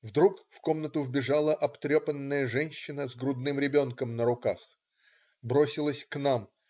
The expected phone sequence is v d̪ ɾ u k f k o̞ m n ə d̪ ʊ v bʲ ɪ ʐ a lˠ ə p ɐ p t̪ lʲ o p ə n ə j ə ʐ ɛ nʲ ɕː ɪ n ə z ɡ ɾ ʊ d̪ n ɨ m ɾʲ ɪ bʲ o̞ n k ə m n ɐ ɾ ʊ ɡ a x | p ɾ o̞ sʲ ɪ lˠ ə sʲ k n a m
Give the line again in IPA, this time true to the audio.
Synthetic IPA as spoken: v d̪ ɾ u k f k o̞ m n ə t̪ ʊ v bʲ ɪ ʐ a lˠ ə ʔ ɐ p t̪ ɾʲ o p ə nː ə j ə ʐ ɛ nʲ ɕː ɪ n ə z ɡ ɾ ʊ d̪ n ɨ m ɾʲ ɪ bʲ o̞ n k ə m n ə ɾ ʊ k a x | b ɾ o̞ sʲ ɪ lˠ ə sʲ k n a m